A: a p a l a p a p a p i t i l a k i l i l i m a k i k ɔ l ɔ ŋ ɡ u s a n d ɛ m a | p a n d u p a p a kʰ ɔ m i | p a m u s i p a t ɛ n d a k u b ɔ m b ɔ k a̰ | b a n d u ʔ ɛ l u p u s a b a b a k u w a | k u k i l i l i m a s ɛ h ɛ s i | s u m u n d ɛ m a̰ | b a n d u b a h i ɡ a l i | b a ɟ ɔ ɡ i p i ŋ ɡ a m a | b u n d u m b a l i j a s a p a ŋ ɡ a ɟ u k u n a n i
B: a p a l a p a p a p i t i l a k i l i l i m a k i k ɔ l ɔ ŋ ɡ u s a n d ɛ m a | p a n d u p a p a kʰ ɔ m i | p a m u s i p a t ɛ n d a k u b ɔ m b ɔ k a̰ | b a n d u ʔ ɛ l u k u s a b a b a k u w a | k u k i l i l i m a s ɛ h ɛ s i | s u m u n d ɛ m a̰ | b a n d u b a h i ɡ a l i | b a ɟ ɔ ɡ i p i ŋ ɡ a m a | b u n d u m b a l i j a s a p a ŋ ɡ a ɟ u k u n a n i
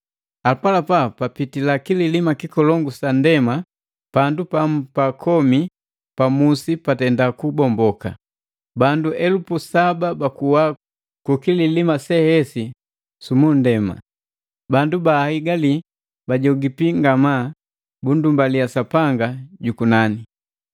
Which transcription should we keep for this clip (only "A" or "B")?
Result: A